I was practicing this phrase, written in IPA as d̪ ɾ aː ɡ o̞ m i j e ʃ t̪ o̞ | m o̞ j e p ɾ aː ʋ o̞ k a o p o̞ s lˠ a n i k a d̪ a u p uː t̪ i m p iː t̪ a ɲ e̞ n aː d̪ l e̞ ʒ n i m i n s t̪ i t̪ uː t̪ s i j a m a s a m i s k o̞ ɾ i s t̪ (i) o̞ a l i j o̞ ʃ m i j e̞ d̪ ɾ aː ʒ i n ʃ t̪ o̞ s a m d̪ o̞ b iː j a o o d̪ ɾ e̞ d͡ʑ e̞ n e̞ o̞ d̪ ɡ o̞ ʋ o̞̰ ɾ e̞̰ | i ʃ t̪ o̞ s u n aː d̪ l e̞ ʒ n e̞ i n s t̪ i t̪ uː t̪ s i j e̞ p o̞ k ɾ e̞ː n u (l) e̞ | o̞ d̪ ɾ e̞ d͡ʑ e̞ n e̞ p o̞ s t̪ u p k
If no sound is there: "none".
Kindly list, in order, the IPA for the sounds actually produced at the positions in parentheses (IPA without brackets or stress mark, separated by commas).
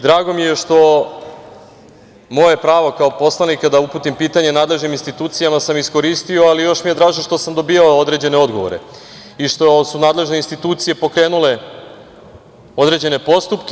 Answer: i, l